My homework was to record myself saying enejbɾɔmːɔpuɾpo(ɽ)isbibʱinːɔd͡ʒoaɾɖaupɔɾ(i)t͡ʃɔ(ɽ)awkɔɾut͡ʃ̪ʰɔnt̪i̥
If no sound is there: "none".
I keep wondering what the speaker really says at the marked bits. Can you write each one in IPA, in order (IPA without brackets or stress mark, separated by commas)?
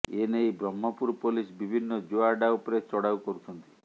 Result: l, e, ɽ